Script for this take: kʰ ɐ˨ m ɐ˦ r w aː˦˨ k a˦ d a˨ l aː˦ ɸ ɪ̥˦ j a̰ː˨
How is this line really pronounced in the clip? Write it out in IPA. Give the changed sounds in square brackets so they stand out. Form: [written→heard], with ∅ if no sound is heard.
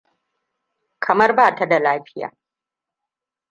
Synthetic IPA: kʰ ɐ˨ m ɐ˦ r [w→b] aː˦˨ [k→t] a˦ d a˨ l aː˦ ɸ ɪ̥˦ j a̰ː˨